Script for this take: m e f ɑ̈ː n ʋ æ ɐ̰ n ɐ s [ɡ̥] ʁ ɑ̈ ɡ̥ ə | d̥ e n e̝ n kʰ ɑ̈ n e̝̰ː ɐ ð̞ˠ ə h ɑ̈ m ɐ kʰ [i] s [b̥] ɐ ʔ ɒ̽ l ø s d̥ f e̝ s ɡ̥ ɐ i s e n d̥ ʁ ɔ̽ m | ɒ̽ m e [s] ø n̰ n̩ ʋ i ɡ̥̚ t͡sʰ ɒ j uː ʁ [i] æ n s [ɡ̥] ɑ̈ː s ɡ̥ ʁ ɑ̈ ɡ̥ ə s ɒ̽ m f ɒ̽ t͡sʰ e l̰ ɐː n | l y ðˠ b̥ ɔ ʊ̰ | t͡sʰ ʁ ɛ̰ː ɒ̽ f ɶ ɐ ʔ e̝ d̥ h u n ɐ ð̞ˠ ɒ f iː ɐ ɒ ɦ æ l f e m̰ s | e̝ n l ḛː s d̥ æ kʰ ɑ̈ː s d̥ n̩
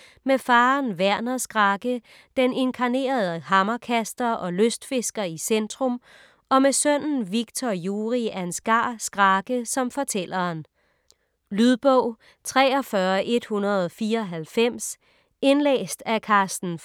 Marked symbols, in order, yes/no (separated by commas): yes, no, no, yes, yes, yes